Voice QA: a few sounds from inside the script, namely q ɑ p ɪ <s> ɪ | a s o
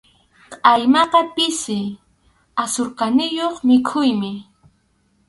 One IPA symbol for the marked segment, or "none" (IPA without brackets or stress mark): s